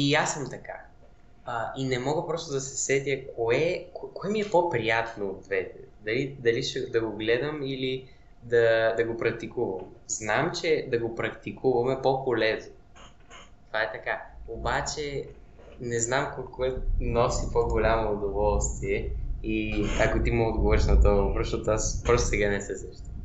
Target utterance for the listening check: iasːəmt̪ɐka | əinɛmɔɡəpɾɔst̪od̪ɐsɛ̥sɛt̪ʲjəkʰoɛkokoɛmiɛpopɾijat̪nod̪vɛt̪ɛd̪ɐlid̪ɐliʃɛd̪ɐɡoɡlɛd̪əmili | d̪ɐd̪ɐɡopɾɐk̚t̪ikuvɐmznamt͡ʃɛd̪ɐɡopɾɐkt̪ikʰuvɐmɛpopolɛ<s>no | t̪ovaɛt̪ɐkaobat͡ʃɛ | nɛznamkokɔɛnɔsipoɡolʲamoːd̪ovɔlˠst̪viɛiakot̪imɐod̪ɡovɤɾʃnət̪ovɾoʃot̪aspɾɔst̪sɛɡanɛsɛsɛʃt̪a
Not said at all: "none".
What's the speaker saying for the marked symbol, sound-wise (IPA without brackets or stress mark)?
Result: z